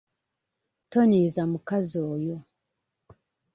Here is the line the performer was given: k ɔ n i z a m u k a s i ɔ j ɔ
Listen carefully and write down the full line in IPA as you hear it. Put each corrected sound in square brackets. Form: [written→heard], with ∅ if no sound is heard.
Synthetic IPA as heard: [k→t] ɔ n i z a m u k a [s→z] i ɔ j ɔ